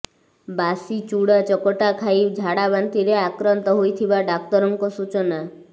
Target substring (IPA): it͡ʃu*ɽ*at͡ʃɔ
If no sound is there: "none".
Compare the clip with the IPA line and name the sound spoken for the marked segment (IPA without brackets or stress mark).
ɽ